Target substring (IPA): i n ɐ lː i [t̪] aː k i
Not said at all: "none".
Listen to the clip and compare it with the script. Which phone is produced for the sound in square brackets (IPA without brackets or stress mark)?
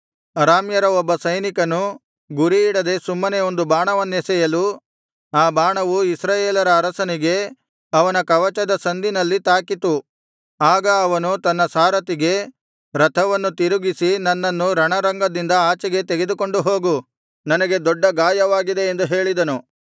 t̪